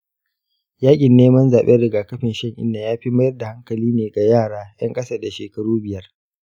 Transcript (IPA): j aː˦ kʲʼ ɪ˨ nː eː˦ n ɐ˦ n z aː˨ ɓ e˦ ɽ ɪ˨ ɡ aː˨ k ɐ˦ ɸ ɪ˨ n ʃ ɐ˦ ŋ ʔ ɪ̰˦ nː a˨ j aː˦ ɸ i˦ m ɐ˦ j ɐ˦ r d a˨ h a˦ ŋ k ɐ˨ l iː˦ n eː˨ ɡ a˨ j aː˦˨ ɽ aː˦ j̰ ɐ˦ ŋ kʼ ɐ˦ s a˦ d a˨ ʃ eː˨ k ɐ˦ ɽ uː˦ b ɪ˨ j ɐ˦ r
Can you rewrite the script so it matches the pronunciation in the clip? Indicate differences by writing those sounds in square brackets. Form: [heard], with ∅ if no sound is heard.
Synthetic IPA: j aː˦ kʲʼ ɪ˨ nː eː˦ [m] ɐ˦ n z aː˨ ɓ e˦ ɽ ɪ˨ ɡ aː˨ k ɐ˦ ɸ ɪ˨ n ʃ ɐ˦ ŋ ʔ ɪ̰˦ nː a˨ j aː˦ ɸ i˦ m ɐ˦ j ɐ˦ r d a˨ h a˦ ŋ k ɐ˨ l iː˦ n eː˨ ɡ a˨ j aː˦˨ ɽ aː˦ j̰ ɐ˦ ŋ kʼ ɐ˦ s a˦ d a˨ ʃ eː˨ k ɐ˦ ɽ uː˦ b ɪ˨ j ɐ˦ r